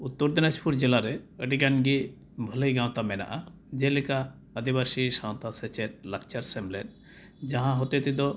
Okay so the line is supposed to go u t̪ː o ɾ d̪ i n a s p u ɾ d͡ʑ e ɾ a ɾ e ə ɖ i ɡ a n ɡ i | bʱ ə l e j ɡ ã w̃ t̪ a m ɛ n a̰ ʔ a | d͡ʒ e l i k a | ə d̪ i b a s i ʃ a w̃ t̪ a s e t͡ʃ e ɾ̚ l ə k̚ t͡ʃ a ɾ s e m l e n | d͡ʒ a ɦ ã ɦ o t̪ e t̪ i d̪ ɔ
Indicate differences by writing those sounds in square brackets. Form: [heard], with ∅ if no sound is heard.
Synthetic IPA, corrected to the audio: u t̪ː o ɾ d̪ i n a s p u ɾ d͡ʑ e [l] a ɾ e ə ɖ i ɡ a n ɡ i | bʱ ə l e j ɡ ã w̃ t̪ a m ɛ n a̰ ʔ a | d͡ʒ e l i k a | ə d̪ i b a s i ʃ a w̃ t̪ a s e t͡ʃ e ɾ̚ l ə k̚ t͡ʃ a ɾ s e m l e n | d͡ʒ a ɦ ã ɦ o t̪ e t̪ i d̪ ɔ